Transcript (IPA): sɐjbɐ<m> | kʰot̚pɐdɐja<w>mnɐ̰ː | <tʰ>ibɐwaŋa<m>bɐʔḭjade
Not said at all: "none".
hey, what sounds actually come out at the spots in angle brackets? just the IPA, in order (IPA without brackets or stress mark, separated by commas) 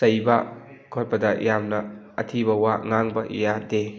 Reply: none, none, tʰ, ŋ